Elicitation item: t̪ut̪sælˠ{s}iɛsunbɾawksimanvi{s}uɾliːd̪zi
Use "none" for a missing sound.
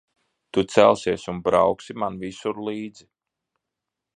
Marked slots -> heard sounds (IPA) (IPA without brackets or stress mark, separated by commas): s, s